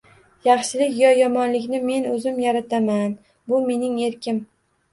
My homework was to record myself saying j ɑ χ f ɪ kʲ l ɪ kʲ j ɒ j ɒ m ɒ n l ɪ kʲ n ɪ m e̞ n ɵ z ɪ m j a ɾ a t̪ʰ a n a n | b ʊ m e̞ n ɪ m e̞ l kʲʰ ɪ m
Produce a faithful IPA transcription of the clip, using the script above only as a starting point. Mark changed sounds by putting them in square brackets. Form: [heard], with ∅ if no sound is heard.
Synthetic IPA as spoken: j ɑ χ [ʃ] ɪ [∅] l ɪ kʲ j ɒ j ɒ m ɒ n l ɪ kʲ n ɪ m e̞ n ɵ z ɪ m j a ɾ a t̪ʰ a [m] a n | b ʊ m e̞ n ɪ [ŋ] e̞ [ɾ] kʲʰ ɪ m